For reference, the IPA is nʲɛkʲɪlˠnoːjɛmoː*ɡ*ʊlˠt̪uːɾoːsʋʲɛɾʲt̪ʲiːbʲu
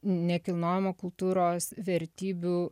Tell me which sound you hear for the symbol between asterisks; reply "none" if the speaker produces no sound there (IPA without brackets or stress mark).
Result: k